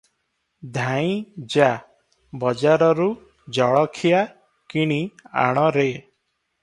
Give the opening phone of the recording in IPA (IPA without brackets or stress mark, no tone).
d̪ʱ